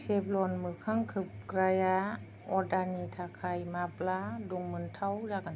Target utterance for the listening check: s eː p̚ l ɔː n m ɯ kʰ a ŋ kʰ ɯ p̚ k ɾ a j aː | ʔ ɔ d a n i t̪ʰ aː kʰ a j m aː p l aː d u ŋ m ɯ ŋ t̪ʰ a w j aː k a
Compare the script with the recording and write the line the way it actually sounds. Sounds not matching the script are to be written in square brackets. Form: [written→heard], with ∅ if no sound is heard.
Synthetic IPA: s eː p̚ l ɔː n m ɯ kʰ a ŋ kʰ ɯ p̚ k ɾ a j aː | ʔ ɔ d a n i t̪ʰ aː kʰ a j m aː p l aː d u ŋ m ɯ [ŋ→n] t̪ʰ a w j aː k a